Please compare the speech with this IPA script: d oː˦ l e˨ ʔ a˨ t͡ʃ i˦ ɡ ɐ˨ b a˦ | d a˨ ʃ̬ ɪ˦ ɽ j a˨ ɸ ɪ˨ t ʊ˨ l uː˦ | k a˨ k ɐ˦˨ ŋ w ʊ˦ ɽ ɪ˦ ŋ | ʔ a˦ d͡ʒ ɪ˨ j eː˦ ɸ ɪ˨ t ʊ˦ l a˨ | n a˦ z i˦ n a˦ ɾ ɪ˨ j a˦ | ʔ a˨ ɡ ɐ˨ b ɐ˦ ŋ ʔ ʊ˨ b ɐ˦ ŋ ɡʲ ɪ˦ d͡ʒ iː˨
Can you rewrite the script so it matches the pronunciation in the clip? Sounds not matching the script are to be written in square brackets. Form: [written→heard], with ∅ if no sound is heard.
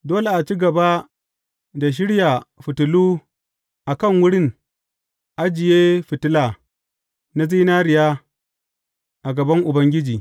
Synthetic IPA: d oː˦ l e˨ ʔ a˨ t͡ʃ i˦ ɡ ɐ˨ b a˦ | d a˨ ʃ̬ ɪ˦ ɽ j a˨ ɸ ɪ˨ t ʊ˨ l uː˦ | [k→ʔ] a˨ k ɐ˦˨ ŋ w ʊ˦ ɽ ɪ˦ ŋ | ʔ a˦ d͡ʒ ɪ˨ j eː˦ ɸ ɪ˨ t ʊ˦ l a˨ | n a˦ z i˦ n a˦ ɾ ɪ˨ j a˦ | ʔ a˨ ɡ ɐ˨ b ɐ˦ ŋ ʔ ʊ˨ b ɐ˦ ŋ ɡʲ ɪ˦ d͡ʒ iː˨